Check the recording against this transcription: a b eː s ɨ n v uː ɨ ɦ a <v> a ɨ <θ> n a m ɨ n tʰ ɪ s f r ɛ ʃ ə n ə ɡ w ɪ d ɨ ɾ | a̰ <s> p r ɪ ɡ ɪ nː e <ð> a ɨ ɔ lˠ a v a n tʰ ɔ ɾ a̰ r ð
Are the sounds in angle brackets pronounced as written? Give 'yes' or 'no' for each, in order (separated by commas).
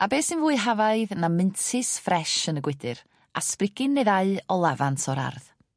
yes, no, yes, yes